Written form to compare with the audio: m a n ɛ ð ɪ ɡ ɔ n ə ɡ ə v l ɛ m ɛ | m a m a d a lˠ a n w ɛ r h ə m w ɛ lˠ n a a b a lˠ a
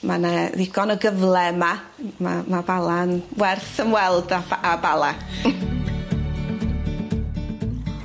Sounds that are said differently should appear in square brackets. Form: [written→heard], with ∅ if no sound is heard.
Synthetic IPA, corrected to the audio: m a n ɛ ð ɪ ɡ ɔ n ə ɡ ə v l ɛ m [ɛ→a] | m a m a [d→b] a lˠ a n w ɛ r [h→θ] ə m w ɛ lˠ [n→d] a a b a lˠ a